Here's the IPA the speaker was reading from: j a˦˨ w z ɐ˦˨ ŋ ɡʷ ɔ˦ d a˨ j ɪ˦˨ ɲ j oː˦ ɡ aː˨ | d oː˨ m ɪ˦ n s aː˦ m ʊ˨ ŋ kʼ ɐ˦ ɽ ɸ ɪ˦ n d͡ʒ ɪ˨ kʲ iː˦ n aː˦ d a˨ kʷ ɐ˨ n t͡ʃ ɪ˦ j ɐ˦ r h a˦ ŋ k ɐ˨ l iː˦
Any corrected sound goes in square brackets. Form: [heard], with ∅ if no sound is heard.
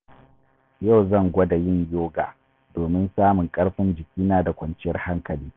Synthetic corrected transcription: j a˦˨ w z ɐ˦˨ ŋ ɡʷ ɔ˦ d a˨ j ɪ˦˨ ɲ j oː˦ ɡ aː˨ | d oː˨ m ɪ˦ n s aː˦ m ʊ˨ ŋ kʼ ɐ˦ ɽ ɸ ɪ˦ n d͡ʒ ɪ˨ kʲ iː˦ n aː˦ d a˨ kʷ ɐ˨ n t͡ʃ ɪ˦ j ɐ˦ r h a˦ ŋ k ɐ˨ l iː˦